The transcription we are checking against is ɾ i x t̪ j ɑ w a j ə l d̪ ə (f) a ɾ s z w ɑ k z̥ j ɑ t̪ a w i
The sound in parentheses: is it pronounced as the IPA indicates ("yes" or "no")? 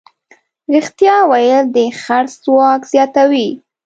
no